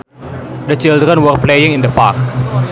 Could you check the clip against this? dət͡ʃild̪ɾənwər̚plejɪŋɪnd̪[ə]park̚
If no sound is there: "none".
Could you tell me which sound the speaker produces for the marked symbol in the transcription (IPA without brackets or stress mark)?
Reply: ə